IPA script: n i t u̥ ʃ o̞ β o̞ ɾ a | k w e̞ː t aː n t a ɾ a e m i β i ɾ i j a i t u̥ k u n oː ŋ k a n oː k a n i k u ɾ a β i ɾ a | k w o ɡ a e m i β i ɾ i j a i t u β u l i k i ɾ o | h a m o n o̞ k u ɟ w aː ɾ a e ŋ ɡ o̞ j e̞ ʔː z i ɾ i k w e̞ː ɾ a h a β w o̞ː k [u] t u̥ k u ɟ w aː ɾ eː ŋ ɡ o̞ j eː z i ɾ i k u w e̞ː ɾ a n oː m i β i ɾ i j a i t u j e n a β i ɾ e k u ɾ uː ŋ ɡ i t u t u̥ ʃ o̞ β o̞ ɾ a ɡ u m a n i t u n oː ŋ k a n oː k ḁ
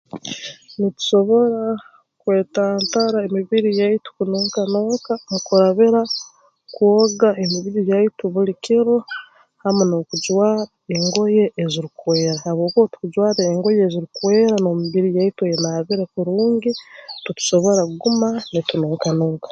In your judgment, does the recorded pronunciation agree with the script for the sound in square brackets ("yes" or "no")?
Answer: no